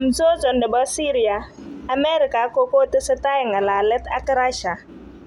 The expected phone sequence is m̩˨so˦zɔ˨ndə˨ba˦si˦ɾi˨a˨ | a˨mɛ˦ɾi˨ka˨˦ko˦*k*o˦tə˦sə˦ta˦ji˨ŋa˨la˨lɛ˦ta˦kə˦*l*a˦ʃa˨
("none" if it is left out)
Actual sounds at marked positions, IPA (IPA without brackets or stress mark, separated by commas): k, ɾ